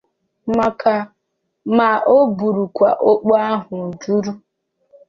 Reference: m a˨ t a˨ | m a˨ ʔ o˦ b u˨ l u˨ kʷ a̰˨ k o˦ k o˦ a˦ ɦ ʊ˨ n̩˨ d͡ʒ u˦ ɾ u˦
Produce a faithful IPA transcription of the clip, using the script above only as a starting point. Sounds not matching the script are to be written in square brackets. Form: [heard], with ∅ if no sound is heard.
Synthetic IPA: m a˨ [k] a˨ | m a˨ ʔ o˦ b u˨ [ɾ] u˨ kʷ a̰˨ [ʔ] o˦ [k͡p] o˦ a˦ ɦ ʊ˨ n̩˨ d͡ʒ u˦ ɾ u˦